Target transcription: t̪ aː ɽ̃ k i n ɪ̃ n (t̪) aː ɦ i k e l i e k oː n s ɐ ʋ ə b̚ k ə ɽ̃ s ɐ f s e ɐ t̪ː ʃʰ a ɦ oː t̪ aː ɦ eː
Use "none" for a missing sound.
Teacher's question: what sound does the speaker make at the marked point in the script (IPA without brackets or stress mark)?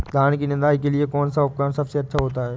d̪